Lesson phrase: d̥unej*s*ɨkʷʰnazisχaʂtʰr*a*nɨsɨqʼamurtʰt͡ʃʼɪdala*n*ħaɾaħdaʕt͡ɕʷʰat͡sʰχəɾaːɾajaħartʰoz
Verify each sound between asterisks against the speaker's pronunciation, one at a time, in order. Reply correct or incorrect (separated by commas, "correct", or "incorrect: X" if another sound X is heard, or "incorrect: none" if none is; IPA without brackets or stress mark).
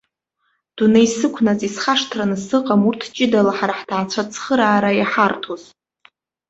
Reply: correct, correct, incorrect: none